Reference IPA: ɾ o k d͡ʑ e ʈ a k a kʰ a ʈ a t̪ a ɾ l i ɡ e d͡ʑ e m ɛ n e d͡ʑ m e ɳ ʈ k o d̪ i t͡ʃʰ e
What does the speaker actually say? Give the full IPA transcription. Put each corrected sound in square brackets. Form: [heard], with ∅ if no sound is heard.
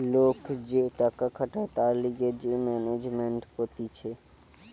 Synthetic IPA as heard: [l] o k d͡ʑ e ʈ a k a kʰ a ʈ a t̪ a ɾ l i ɡ e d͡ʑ e m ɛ n e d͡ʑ m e ɳ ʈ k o [t̪] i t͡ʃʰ e